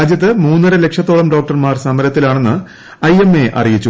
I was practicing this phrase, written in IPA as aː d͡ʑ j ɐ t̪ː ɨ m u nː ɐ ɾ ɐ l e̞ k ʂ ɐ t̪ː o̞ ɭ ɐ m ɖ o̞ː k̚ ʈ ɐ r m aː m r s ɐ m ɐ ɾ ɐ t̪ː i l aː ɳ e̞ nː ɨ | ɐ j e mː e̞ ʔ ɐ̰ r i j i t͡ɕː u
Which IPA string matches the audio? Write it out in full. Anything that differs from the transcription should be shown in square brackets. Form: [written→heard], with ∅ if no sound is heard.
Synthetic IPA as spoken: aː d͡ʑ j ɐ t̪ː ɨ m [u→uː] nː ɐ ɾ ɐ l e̞ k ʂ ɐ t̪ː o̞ ɭ ɐ m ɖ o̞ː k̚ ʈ ɐ r m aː [m→∅] r s ɐ m ɐ ɾ ɐ t̪ː i l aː ɳ e̞ nː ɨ | ɐ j e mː e̞ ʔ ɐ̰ r i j i t͡ɕː u

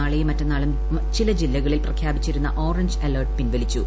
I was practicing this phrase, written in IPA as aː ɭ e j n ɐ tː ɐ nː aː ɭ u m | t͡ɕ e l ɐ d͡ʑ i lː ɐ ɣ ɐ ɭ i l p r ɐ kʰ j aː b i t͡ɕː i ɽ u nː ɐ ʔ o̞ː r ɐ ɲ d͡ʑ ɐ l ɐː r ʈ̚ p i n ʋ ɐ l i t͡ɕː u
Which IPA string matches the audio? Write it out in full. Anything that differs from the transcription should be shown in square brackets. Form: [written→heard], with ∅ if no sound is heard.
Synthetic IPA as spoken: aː ɭ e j [n→m] ɐ tː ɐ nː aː ɭ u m | t͡ɕ [e→i] l ɐ d͡ʑ i lː ɐ ɣ ɐ ɭ i l p r ɐ kʰ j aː b i t͡ɕː i [ɽ→ɾ] u nː ɐ ʔ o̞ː r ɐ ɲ d͡ʑ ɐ l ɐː r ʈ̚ p i n ʋ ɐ l i t͡ɕː u

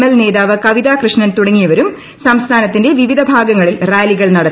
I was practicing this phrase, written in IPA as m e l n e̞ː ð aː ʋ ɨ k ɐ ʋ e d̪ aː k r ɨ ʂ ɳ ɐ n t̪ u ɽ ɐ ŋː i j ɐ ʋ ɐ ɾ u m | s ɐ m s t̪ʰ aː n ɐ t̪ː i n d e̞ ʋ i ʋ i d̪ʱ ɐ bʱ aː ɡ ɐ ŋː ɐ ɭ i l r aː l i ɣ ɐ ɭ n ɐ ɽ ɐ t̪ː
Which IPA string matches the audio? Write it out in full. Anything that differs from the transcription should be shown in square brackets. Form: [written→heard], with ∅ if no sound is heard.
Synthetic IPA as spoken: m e l n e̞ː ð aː ʋ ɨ k ɐ ʋ [e→i] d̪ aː k r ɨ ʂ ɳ ɐ n t̪ u ɽ ɐ ŋː i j ɐ ʋ ɐ ɾ u m | s ɐ m s t̪ʰ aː n ɐ t̪ː i n d e̞ ʋ i ʋ i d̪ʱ ɐ bʱ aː ɡ ɐ ŋː ɐ ɭ i l r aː l i ɣ ɐ ɭ n ɐ ɽ ɐ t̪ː

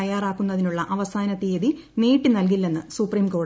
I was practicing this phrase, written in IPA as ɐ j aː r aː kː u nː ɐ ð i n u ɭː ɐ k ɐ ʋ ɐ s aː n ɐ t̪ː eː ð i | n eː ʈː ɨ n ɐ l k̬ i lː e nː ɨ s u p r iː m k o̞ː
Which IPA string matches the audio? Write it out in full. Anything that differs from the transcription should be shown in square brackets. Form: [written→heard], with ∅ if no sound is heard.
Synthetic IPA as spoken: ɐ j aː r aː kː u nː ɐ ð i n u ɭː ɐ [k→ʔ] ɐ ʋ ɐ s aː n ɐ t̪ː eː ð i | n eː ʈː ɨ n ɐ l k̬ i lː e nː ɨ s u p r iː m k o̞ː

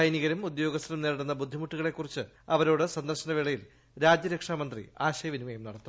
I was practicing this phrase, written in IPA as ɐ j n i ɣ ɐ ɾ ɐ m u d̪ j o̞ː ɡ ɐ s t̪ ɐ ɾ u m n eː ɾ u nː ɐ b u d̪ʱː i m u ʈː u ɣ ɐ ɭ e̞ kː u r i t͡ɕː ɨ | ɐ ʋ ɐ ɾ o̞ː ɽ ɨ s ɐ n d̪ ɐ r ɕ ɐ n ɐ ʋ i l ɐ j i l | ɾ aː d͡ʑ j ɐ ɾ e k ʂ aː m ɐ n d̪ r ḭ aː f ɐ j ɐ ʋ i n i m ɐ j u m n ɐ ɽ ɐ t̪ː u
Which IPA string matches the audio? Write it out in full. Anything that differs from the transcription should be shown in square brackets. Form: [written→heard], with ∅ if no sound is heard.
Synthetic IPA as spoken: ɐ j n i ɣ ɐ ɾ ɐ m u d̪ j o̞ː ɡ ɐ s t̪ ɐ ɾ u m n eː [ɾ→ɽ] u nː ɐ b u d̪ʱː i m u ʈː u ɣ ɐ ɭ e̞ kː u r i t͡ɕː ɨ | ɐ ʋ ɐ ɾ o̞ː ɽ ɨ s ɐ n d̪ ɐ r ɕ ɐ n ɐ ʋ i [l→ɭ] ɐ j i l | ɾ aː d͡ʑ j ɐ ɾ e k ʂ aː m ɐ n d̪ r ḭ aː [f→ɕ] ɐ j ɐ ʋ i n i m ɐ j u m n ɐ ɽ ɐ t̪ː u

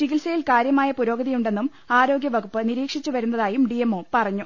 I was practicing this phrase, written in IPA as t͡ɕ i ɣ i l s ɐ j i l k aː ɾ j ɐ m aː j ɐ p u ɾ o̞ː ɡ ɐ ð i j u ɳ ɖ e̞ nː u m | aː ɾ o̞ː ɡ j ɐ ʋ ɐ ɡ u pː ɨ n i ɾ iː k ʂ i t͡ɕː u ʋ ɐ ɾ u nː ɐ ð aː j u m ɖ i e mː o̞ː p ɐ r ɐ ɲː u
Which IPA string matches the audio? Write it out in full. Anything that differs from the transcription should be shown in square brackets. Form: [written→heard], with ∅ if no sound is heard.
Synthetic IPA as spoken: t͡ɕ i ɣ i l s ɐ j i l k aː ɾ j ɐ m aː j ɐ p u ɾ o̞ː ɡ ɐ ð i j u ɳ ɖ e̞ nː u m | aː ɾ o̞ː ɡ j ɐ ʋ ɐ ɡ u pː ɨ n i ɾ iː k ʂ i t͡ɕː u ʋ ɐ ɾ u nː ɐ ð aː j u m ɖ i e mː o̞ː p ɐ r ɐ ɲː u

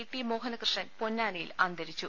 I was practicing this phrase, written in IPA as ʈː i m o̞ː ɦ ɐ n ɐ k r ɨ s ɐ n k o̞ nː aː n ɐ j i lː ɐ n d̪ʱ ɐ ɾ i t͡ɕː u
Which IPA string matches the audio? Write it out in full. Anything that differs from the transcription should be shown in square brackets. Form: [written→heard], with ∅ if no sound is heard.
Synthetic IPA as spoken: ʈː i m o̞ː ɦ ɐ n ɐ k r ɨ [s→ʂ] ɐ n [k→p] o̞ nː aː n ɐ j i [lː→l] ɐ n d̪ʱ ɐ ɾ i t͡ɕː u

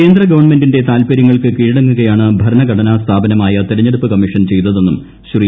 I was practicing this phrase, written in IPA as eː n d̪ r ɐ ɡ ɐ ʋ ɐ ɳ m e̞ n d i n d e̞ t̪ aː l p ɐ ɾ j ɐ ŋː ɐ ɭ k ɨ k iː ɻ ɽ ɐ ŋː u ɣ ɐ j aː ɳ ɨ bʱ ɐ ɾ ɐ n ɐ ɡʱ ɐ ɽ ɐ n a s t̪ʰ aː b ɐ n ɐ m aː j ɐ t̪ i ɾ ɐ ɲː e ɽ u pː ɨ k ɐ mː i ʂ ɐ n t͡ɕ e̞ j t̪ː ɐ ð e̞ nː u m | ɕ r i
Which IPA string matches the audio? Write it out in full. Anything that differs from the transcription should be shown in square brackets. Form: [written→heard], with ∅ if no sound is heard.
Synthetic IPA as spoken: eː n d̪ r ɐ ɡ ɐ ʋ ɐ ɳ m e̞ n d i n d e̞ t̪ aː l p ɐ ɾ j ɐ ŋː ɐ ɭ k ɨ k iː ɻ ɽ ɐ ŋː u ɣ ɐ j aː ɳ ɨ bʱ ɐ ɾ ɐ n ɐ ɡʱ ɐ ɽ ɐ n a s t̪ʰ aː b ɐ n ɐ m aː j ɐ t̪ i ɾ ɐ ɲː e ɽ u pː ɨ k ɐ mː i ʂ ɐ n t͡ɕ e̞ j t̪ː ɐ ð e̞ nː u m | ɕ r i

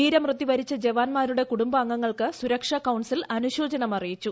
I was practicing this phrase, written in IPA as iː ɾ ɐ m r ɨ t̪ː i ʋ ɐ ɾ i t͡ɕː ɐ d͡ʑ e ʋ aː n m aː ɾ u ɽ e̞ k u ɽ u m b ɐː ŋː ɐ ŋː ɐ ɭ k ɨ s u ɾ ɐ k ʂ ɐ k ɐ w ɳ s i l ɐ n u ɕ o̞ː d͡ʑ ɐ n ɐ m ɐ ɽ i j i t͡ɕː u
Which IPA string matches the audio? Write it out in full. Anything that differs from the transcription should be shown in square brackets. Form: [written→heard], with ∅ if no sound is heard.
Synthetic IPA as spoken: iː ɾ ɐ m r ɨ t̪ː i ʋ ɐ ɾ i t͡ɕː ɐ d͡ʑ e ʋ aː n m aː ɾ u ɽ e̞ k u ɽ u m b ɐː ŋː ɐ ŋː ɐ ɭ k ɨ s u ɾ ɐ k ʂ ɐ k ɐ w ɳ s i l ɐ n u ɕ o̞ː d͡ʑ ɐ n ɐ m ɐ [ɽ→r] i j i t͡ɕː u

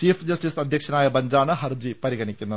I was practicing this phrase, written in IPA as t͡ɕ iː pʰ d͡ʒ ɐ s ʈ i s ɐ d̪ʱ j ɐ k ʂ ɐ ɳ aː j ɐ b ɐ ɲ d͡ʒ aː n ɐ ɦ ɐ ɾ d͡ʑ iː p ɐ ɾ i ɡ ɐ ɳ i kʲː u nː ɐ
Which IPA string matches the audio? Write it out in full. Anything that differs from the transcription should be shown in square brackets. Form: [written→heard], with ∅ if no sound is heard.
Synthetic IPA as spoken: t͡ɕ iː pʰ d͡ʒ ɐ s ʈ i s ɐ d̪ʱ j ɐ k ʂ ɐ [ɳ→n] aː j ɐ b ɐ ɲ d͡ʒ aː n ɐ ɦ ɐ ɾ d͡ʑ [iː→i] p ɐ ɾ i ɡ ɐ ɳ i kʲː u nː ɐ

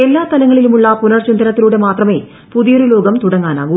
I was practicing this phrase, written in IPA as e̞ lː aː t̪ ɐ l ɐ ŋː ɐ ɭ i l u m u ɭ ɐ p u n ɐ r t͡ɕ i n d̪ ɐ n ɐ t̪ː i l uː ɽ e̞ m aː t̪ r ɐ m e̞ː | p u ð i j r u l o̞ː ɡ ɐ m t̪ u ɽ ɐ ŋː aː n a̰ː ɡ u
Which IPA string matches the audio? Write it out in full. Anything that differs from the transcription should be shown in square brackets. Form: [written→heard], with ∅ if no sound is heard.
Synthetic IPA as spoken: e̞ lː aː t̪ ɐ l ɐ ŋː ɐ ɭ i l u m u [ɭ→ɭː] ɐ p u n ɐ r t͡ɕ i n d̪ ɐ n ɐ t̪ː i l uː ɽ e̞ m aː t̪ r ɐ m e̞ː | p u ð i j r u l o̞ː ɡ ɐ m t̪ u ɽ ɐ ŋː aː n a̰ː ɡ u

